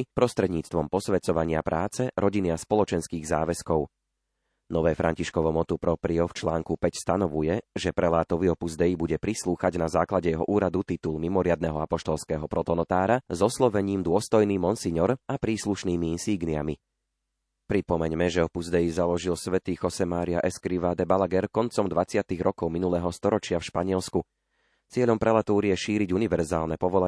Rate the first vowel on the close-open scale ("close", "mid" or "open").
mid